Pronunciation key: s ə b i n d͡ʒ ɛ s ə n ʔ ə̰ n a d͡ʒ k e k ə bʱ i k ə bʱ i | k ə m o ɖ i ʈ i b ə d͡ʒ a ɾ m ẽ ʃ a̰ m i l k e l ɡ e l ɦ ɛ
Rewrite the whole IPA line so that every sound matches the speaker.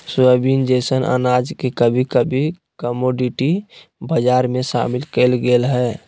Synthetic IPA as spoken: s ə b i n d͡ʒ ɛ s ə n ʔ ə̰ n a d͡ʒ k e k ə bʱ i k ə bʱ i | k ə m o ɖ i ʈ i b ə d͡ʒ a ɾ m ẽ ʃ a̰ m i l k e l ɡ e l ɦ ɛ